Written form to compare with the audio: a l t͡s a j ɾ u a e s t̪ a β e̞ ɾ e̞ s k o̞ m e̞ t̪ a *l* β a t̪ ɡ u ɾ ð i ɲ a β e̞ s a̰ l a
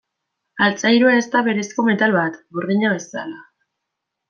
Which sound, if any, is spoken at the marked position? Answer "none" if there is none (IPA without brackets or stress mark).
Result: l